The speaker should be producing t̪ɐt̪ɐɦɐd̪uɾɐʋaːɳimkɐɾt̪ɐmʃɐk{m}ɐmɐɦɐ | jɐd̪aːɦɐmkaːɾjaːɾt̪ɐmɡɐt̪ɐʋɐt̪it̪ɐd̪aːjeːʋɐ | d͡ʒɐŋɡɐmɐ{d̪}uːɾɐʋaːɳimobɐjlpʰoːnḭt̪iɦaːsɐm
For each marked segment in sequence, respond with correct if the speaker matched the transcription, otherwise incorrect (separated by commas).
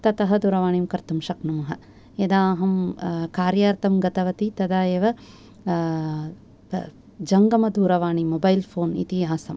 incorrect, correct